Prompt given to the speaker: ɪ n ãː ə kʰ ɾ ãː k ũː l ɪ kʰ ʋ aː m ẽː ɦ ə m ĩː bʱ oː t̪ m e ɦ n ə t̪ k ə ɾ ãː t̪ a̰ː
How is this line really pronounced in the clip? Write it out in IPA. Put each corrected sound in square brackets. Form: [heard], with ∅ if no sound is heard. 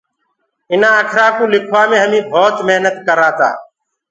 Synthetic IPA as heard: ɪ n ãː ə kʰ ɾ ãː k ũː l ɪ kʰ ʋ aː m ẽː ɦ ə m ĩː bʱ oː t̪ m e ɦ n ə t̪ k ə ɾ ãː t̪ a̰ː